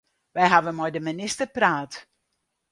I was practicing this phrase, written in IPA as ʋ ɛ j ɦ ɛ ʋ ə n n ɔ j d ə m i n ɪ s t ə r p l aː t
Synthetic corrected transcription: ʋ ɛ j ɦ a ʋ ə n m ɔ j d ə m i n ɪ s t ə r p r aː t